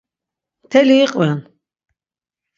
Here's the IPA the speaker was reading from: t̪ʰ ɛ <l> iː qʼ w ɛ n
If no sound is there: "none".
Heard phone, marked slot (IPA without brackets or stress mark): l